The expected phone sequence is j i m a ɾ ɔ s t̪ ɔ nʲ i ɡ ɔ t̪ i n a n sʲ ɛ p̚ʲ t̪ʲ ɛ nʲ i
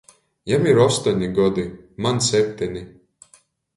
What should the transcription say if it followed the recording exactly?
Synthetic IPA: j a m i ɾ ɔ s t̪ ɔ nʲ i ɡ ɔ d̪ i m a n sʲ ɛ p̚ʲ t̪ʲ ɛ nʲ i